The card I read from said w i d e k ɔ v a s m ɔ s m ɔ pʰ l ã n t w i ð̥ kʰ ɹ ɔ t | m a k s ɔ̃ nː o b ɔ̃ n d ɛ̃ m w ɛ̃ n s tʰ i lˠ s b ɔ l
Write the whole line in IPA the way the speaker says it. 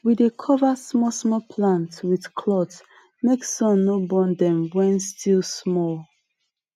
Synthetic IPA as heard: w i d e kʰ ɔ v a s m ɔ s m ɔ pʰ l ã n t w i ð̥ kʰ l ɔ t | m e k s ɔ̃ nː o b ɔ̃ n d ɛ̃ m w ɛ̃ n s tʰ i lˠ s m ɔ l